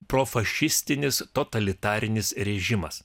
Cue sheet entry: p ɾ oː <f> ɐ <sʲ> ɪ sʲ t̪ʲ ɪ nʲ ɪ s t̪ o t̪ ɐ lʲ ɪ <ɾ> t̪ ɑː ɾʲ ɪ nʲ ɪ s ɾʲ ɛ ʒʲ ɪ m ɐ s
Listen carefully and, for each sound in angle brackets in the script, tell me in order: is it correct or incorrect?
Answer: correct, incorrect, incorrect

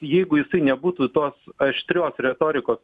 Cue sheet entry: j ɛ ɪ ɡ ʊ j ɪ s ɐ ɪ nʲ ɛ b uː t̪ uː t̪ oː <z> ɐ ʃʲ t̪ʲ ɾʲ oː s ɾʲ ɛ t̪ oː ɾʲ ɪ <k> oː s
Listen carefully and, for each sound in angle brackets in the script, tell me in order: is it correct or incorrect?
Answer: incorrect, correct

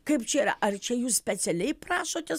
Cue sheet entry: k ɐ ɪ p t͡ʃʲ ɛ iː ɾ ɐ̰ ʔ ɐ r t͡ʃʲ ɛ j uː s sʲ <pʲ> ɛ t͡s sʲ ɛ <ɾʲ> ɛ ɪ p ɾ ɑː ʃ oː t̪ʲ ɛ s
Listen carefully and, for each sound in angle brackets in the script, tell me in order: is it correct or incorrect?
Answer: correct, incorrect

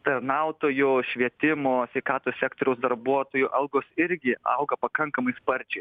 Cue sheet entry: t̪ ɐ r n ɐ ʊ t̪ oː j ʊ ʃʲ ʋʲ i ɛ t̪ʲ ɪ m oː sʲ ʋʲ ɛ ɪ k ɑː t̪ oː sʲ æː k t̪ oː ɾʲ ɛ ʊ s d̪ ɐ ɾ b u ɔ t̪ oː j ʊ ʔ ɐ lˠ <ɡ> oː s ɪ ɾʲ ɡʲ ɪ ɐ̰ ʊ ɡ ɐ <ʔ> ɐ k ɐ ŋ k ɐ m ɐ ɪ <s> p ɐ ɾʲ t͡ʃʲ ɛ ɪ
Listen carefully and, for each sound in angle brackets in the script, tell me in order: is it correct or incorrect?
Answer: correct, incorrect, correct

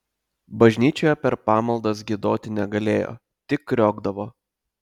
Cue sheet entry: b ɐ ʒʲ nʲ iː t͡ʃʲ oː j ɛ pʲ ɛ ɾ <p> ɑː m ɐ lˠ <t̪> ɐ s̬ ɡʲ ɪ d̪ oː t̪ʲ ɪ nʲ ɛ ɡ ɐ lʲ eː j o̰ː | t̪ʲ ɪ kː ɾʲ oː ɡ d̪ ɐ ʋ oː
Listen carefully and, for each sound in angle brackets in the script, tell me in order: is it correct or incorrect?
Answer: correct, incorrect

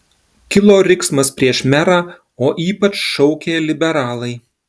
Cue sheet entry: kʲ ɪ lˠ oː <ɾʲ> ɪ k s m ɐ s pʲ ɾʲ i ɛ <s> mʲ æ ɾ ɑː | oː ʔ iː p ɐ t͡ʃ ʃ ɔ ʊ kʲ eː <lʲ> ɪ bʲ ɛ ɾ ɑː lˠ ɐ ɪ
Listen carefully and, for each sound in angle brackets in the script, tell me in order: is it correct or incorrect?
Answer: correct, incorrect, correct

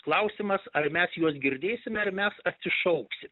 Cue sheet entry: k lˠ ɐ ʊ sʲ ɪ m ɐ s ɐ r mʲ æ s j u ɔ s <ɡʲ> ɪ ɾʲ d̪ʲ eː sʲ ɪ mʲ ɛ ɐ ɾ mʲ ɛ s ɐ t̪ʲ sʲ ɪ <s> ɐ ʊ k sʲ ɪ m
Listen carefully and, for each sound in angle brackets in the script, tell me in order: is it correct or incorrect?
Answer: correct, incorrect

